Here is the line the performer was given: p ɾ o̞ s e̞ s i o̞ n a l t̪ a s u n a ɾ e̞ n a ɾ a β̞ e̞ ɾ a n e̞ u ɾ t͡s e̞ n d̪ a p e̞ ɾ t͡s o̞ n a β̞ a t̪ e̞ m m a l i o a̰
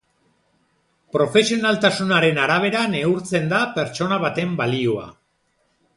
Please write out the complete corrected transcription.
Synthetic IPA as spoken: p ɾ o̞ f e̞ s i o̞ n a l t̪ a s u n a ɾ e̞ n a ɾ a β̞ e̞ ɾ a n e̞ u ɾ t͡s e̞ n d̪ a p e̞ ɾ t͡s o̞ n a β̞ a t̪ e̞ m b a l i o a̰